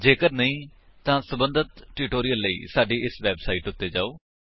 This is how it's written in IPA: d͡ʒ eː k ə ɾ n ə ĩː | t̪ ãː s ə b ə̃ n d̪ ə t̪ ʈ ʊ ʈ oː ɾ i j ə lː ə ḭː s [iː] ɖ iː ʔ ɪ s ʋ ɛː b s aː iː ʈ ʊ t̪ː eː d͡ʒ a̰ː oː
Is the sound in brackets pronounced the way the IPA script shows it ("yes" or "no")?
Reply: no